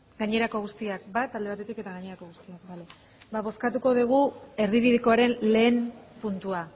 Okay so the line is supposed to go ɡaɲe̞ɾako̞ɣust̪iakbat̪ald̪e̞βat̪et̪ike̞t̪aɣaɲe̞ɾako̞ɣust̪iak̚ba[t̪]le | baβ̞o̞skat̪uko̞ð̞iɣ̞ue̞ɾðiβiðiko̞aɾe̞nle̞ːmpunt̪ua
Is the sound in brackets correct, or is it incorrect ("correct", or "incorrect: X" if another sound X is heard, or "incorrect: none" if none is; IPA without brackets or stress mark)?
incorrect: none